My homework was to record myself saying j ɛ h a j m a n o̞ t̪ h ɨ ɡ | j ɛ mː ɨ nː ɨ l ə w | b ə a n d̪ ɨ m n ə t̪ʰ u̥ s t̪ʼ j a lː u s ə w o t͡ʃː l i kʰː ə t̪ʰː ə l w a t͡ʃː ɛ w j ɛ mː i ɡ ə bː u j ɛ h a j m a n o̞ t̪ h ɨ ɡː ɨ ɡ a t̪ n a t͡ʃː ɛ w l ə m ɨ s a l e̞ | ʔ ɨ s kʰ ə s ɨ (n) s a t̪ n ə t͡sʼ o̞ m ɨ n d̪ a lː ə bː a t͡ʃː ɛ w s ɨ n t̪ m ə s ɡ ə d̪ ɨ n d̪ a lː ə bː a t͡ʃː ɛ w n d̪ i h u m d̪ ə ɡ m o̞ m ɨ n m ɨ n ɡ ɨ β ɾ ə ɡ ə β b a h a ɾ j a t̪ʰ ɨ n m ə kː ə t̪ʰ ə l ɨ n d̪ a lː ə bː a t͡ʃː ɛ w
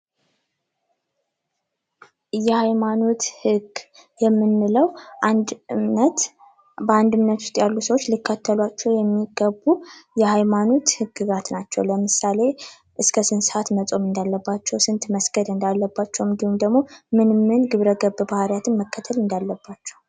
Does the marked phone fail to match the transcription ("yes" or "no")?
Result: no